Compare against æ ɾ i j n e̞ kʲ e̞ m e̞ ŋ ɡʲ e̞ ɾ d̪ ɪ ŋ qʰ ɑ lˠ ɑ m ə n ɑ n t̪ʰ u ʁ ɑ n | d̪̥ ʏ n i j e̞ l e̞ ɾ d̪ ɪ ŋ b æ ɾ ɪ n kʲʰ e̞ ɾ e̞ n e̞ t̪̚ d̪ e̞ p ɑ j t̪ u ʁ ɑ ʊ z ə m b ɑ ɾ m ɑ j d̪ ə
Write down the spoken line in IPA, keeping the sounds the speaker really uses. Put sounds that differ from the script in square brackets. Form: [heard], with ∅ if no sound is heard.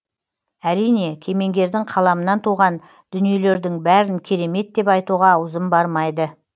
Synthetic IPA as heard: æ ɾ i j n e̞ [kʲʰ] e̞ m e̞ ŋ ɡʲ e̞ ɾ d̪ ɪ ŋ qʰ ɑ lˠ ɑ m ə n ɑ n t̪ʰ u ʁ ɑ n | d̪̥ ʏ n i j e̞ l e̞ ɾ d̪ ɪ ŋ b æ ɾ ɪ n kʲʰ e̞ ɾ e̞ [m] e̞ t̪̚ d̪ e̞ p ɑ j t̪ u ʁ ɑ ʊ z ə m b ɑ ɾ m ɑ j d̪ ə